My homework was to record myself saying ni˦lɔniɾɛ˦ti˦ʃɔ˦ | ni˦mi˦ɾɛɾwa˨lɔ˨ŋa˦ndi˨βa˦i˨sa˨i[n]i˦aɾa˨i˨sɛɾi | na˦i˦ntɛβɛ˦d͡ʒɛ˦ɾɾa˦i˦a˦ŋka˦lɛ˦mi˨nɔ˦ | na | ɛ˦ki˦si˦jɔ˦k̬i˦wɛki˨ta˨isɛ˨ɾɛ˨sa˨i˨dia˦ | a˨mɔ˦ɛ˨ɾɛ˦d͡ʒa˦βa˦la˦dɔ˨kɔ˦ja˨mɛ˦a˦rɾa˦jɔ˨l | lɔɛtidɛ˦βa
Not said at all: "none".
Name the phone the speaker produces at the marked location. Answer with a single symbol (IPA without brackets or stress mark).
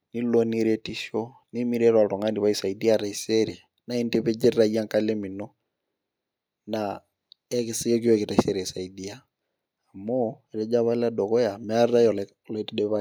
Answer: d